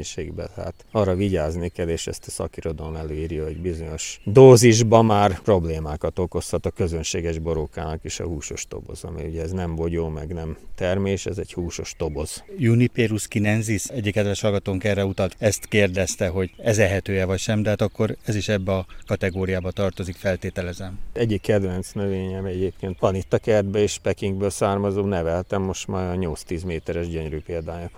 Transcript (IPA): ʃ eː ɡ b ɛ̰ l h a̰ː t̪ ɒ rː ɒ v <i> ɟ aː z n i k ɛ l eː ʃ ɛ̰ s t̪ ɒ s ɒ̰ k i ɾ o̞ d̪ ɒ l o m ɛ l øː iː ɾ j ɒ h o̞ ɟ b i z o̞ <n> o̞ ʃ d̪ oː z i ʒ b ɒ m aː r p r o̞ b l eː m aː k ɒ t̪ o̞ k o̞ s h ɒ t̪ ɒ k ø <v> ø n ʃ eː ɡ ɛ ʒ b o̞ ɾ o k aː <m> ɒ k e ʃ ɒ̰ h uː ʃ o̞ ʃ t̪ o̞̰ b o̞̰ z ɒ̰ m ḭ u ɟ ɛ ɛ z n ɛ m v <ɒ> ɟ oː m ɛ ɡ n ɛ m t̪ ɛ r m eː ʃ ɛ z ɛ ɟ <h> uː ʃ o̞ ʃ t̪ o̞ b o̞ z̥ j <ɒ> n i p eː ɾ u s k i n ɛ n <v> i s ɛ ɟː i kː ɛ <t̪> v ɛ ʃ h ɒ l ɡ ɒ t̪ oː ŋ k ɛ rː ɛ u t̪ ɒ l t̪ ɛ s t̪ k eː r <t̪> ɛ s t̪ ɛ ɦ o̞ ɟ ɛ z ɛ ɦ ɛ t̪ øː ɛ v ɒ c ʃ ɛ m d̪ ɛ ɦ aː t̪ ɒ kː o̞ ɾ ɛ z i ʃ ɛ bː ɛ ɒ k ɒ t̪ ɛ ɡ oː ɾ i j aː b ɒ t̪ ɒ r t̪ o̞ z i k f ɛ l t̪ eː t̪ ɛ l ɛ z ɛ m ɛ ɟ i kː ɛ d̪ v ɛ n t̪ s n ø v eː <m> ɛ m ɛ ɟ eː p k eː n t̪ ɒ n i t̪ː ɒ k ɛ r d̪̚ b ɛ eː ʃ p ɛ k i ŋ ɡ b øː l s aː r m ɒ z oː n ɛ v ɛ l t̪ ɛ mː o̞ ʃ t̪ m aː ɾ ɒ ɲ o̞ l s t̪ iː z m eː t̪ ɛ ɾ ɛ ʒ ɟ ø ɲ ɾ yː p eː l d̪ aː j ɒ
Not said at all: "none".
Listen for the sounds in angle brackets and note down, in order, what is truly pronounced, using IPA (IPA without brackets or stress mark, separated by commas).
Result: i, ɲ, z, n, o, h, u, z, d̪, d̪, ɲ